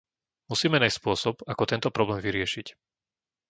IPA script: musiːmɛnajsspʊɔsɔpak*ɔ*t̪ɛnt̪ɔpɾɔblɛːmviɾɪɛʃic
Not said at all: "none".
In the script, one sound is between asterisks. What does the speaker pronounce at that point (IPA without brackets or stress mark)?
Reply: ɔ